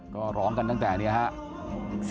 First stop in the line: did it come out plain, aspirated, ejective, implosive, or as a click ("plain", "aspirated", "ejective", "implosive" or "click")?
plain